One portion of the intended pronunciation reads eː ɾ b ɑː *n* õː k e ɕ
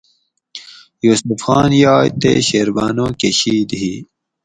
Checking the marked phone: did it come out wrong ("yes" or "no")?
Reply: no